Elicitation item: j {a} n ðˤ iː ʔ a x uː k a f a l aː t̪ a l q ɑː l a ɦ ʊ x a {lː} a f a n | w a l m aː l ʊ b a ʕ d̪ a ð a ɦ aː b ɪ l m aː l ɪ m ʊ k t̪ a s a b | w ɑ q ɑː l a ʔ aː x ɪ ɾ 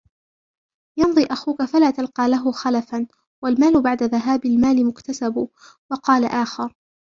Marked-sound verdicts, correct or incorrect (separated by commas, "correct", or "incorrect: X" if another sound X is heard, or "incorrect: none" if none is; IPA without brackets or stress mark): incorrect: ɑ, incorrect: l